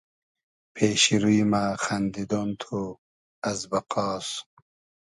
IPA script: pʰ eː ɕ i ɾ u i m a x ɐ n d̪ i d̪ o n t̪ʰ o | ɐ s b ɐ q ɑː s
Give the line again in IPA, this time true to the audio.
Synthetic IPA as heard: pʰ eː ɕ i ɾ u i m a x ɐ n d̪ i d̪ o n t̪ʰ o | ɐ z b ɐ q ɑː s